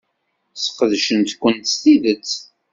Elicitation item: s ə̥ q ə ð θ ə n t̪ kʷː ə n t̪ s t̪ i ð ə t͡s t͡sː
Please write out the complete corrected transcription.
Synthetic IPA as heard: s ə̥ q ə ð ʃ ə n t̪ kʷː ə n t̪ s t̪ i ð ə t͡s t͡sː